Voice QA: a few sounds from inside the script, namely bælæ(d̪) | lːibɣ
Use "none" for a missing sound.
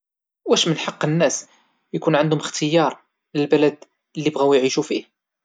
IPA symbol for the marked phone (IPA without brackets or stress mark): d̪